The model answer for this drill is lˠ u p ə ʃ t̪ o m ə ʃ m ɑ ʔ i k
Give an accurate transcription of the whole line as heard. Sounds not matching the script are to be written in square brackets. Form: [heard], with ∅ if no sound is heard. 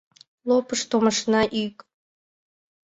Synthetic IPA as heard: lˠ [o] p ə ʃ t̪ o m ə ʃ [n] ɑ ʔ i k